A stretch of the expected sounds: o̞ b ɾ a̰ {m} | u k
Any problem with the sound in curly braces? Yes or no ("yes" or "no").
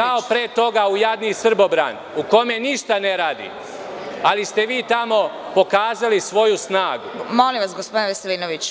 yes